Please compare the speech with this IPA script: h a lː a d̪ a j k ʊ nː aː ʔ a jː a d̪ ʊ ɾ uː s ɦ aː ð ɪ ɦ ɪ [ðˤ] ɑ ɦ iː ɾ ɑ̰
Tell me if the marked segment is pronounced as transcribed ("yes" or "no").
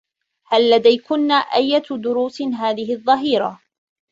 no